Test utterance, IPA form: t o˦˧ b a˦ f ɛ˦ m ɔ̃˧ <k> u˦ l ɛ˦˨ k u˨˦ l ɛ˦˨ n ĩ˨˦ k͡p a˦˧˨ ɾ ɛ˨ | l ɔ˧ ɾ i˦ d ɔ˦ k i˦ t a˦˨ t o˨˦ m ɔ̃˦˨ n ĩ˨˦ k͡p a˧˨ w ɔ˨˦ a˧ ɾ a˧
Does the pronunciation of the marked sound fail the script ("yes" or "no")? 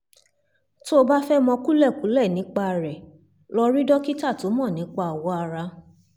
no